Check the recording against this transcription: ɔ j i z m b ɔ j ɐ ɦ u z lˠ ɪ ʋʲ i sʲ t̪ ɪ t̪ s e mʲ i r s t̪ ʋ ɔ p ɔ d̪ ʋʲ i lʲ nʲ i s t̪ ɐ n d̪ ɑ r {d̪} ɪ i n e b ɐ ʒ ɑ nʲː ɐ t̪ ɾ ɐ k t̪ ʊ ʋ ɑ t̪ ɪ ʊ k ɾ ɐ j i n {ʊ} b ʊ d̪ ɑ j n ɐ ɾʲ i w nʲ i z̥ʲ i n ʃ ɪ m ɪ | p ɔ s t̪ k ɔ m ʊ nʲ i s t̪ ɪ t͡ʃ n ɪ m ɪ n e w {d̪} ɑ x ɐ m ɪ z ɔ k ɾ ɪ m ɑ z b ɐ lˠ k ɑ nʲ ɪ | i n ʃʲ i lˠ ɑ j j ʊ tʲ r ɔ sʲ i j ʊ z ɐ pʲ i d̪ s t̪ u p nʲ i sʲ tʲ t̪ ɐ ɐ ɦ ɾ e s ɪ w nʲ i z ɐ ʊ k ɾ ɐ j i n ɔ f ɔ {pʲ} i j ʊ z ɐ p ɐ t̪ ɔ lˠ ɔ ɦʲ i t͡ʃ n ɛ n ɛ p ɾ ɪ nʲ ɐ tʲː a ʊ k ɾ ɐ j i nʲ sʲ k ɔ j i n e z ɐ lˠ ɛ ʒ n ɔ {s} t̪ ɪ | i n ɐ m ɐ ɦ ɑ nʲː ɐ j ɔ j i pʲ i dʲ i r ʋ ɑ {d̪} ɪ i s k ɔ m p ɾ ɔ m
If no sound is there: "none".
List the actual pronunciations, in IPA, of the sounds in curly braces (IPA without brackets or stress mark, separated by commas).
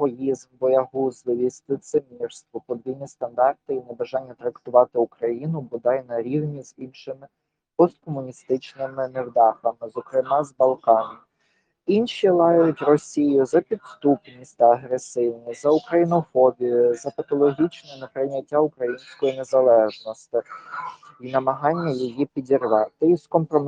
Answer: t̪, ʊ, d̪, bʲ, s, t̪